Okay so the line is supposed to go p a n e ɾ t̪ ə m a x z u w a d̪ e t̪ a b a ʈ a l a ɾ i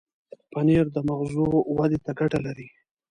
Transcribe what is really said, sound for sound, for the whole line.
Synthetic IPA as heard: p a n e ɾ d̪ ə m a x z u w a d̪ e t̪ a ɡ a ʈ a l a ɾ i